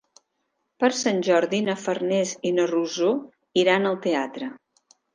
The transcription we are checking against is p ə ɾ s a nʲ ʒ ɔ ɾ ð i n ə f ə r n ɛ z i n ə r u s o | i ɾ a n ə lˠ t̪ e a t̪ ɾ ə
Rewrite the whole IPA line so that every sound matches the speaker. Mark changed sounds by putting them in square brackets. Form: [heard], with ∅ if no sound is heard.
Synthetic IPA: p ə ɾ s a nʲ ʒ ɔ ɾ ð i n ə f ə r n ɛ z i n ə r u [z] o | i ɾ a n ə lˠ t̪ e a t̪ ɾ ə